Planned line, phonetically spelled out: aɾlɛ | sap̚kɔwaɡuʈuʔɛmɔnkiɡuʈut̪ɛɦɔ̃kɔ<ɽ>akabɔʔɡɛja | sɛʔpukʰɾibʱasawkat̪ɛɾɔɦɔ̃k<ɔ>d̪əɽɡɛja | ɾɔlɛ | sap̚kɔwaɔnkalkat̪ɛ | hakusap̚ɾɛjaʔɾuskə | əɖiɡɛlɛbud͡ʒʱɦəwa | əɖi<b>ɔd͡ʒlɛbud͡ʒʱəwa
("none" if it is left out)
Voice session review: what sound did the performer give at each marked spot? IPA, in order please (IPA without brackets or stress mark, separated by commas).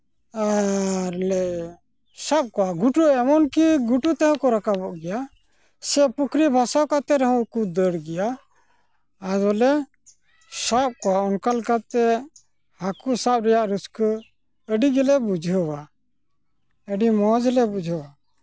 ɾ, u, m